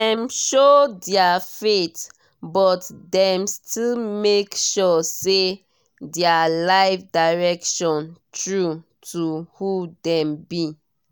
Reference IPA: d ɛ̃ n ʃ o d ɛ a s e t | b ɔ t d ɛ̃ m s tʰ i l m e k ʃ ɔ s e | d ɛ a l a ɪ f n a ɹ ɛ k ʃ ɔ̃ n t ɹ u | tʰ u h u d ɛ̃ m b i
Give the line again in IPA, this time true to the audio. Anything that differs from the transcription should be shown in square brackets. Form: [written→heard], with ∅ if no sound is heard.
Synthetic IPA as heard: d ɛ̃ [n→m] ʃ o d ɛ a [s→f] e t | b ɔ t d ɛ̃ m s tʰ i l m e k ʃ ɔ s e | d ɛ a l a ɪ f [n→d] a ɹ ɛ k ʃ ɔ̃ n t ɹ u | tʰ u h u d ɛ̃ m b i